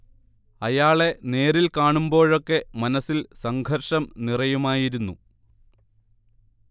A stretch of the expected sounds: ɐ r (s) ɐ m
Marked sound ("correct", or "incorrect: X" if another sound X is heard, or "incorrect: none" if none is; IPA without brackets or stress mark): incorrect: ʂ